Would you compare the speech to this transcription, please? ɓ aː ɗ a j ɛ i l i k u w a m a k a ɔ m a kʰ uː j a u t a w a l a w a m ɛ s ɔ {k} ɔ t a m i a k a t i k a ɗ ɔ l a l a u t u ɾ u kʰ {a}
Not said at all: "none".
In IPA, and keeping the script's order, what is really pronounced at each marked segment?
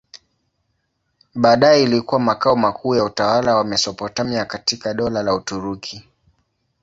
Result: p, i

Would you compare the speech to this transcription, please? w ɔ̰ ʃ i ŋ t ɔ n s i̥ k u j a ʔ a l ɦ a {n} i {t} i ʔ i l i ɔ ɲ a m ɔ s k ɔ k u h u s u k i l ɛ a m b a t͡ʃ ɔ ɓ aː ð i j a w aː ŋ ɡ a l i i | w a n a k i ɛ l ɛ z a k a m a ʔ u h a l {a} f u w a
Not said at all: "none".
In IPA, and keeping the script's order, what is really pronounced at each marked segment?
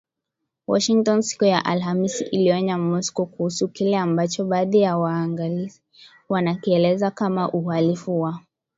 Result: m, s, i

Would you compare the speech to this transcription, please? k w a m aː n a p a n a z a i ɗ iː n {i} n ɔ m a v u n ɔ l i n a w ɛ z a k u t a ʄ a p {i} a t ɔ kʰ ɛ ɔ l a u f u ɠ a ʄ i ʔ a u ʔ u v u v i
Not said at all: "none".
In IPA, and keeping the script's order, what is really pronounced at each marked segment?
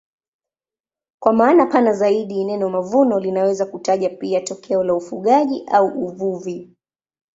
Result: ɛ, i

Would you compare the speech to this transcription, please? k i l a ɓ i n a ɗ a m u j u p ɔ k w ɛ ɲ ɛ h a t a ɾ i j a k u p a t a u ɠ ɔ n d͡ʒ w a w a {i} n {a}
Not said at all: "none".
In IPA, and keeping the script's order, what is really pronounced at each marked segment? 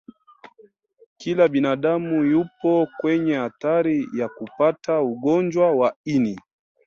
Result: i, i

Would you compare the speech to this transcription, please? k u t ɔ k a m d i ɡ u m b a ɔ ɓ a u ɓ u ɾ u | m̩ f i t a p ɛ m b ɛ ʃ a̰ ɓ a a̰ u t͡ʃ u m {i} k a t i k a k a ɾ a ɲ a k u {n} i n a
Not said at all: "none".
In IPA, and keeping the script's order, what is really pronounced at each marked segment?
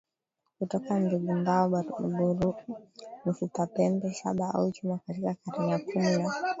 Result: a, m

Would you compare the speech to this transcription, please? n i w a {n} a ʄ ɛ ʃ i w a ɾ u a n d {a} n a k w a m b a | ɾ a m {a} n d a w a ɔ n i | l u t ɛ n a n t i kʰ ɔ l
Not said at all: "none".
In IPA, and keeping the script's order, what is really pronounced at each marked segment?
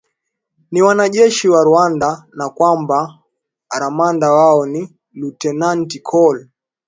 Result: n, a, a

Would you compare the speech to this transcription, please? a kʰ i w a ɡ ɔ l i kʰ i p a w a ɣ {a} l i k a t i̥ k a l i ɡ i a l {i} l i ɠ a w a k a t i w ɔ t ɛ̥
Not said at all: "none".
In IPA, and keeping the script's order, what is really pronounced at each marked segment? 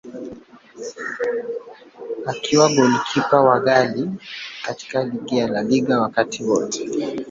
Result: a, a

